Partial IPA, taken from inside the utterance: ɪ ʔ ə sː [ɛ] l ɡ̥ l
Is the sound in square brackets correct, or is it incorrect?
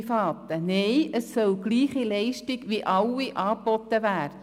incorrect